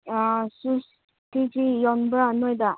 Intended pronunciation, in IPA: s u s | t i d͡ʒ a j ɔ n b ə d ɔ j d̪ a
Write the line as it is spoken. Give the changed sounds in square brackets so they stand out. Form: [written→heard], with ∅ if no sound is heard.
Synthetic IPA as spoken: s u s | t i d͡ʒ [a→i] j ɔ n b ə [d→n] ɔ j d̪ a